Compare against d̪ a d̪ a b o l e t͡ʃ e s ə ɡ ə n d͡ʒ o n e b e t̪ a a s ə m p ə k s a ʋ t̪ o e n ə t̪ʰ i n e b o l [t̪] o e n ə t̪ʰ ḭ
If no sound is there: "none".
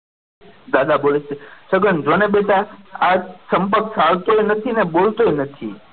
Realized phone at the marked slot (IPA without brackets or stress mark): t̪